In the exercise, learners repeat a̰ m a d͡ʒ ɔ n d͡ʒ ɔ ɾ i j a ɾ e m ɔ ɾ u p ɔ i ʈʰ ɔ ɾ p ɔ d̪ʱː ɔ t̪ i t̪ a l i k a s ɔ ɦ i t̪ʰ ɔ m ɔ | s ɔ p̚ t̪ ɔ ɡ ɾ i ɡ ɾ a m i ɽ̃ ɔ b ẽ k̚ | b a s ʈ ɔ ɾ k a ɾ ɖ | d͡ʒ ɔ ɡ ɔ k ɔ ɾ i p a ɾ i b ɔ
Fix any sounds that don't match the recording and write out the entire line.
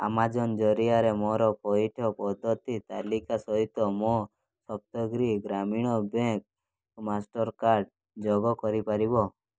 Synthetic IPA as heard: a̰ m a d͡ʒ ɔ n d͡ʒ ɔ ɾ i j a ɾ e m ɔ ɾ ɔ p ɔ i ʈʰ ɔ p ɔ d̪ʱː ɔ t̪ i t̪ a l i k a s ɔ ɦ i t̪ ɔ m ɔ | s ɔ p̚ t̪ ɔ ɡ ɾ i ɡ ɾ a m i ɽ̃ ɔ b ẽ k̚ | m a s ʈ ɔ ɾ k a ɾ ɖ | d͡ʒ ɔ ɡ ɔ k ɔ ɾ i p a ɾ i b ɔ